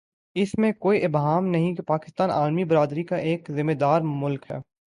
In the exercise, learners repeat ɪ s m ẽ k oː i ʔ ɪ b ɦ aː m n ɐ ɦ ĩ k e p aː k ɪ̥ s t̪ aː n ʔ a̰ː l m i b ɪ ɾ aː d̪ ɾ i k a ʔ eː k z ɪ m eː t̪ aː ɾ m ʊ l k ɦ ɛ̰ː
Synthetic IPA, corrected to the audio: ɪ s m ẽ k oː i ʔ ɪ b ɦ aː m n ɐ ɦ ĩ k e p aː k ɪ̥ s t̪ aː n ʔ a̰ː l m i b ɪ ɾ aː d̪ ɾ i k a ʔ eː k z ɪ m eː d̪ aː ɾ m ʊ l k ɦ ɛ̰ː